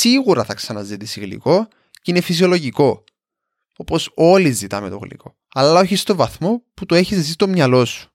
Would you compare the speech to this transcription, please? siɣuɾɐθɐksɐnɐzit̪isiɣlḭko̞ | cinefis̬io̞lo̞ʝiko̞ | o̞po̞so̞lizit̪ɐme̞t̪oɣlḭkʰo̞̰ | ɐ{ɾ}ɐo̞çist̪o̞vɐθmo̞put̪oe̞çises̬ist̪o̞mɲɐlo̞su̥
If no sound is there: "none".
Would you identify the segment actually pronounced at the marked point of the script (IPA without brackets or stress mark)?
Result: l